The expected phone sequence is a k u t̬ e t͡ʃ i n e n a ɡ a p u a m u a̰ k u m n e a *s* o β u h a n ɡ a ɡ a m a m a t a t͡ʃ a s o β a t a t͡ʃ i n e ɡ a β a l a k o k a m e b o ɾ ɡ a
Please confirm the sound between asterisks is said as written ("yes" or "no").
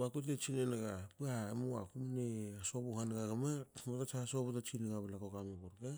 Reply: yes